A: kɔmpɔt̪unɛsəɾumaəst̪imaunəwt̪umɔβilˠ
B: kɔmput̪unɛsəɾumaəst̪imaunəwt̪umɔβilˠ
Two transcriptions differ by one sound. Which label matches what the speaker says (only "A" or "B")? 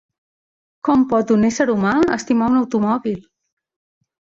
A